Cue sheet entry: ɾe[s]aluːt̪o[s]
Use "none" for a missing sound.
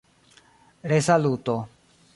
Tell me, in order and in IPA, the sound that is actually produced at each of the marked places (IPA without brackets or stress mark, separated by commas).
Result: s, none